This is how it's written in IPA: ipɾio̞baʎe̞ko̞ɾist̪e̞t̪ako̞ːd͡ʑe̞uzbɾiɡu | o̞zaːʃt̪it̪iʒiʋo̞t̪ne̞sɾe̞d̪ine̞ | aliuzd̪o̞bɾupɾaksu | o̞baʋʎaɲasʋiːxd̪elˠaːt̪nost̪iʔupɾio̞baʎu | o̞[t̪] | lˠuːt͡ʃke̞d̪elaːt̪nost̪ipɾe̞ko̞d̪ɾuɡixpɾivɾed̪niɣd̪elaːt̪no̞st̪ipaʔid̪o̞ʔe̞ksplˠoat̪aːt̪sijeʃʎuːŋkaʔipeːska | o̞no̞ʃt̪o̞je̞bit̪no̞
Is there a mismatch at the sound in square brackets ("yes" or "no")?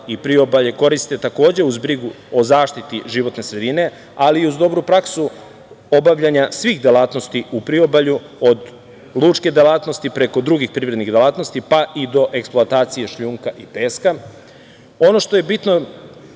yes